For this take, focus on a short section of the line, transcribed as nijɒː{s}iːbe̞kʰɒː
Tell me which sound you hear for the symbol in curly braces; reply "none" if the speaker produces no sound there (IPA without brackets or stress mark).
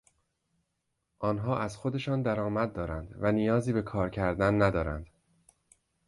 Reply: z